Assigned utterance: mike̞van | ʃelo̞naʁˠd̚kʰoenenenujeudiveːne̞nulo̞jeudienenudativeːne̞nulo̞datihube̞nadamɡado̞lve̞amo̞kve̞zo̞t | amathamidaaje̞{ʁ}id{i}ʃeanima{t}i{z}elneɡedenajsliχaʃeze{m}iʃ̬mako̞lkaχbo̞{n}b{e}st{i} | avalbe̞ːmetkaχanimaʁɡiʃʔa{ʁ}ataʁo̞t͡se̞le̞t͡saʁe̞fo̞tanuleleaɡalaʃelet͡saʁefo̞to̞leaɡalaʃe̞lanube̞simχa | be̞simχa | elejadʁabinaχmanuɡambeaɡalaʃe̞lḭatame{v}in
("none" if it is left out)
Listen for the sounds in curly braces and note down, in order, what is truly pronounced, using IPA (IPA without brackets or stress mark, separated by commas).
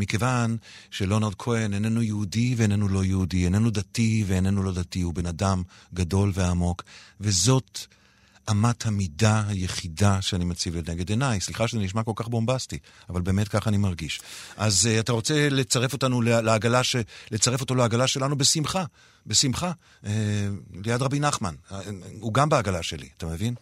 χ, a, t͡s, v, n, m, a, i, z, v